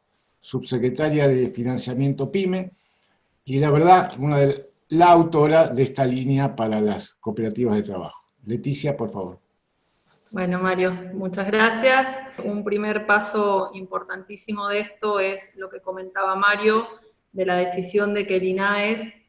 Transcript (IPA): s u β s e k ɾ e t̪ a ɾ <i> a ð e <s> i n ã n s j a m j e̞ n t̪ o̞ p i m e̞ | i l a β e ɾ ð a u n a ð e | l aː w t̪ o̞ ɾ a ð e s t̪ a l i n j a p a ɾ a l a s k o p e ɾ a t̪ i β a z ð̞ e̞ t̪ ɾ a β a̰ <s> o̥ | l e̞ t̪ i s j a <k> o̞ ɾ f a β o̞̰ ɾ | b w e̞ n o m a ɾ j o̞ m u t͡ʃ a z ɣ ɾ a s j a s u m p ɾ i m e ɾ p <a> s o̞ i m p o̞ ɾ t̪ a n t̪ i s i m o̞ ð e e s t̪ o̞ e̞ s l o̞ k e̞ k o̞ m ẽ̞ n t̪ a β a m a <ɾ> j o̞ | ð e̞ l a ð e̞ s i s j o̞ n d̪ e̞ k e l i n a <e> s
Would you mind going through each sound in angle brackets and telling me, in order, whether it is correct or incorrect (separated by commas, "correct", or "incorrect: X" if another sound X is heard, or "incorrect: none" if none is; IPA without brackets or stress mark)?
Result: incorrect: j, incorrect: f, incorrect: x, incorrect: p, correct, correct, correct